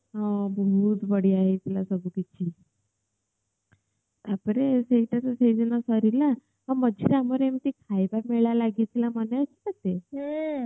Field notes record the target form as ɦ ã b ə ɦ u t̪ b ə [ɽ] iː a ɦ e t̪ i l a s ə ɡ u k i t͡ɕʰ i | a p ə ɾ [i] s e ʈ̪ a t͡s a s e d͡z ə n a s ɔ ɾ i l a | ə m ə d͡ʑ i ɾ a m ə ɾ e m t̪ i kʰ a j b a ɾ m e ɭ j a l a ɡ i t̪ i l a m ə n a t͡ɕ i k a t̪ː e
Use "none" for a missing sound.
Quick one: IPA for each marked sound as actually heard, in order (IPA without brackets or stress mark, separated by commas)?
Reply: ɽ, e